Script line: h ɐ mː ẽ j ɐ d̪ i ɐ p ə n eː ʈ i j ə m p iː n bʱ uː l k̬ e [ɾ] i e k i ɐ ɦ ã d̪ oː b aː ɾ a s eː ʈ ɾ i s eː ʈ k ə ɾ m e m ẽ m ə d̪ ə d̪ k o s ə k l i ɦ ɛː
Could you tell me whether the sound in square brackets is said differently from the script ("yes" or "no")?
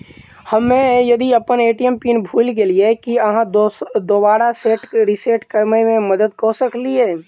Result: yes